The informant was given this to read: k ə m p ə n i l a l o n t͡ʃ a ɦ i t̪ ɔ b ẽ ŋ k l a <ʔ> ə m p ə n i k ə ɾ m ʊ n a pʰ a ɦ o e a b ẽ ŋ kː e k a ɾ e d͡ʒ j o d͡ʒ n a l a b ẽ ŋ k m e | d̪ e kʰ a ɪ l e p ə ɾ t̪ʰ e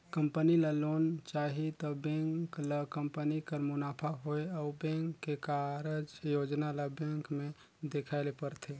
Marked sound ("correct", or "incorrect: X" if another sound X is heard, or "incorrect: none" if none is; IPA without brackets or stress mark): incorrect: k